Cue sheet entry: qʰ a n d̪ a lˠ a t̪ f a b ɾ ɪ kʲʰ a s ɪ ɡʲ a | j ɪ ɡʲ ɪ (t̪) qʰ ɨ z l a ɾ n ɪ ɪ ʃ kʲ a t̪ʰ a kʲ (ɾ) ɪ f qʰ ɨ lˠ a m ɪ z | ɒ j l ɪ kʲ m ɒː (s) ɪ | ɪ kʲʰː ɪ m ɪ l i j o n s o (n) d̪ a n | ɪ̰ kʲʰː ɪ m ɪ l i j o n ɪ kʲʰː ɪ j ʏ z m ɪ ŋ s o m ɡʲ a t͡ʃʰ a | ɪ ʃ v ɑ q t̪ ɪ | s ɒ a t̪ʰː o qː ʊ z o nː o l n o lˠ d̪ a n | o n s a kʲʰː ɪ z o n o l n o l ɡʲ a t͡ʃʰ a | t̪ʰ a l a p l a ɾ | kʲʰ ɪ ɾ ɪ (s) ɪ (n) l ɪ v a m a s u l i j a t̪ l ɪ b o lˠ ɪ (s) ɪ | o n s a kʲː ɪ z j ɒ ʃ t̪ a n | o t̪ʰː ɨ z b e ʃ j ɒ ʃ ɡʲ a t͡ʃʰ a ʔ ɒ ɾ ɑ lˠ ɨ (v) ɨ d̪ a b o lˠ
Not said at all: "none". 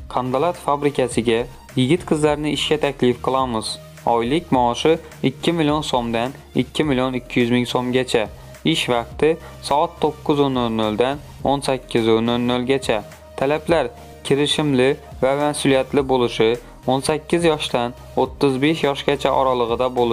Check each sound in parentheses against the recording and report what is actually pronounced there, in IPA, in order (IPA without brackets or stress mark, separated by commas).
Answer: t̪, l, ʃ, m, ʃ, m, ʃ, ʁ